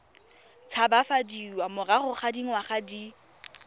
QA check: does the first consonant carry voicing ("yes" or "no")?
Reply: no